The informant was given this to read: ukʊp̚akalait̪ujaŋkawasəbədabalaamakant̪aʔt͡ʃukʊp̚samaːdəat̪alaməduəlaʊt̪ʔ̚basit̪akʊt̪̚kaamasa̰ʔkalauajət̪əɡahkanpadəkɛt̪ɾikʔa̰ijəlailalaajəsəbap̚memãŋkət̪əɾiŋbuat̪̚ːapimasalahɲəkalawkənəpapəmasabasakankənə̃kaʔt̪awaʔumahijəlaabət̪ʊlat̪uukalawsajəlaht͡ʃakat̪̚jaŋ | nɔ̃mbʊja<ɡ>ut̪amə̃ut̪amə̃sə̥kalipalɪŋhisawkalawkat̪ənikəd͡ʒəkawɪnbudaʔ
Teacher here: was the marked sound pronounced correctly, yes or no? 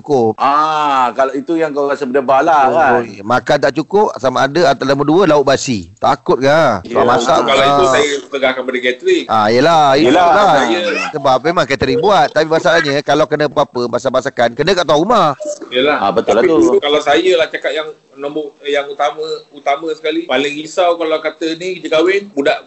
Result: no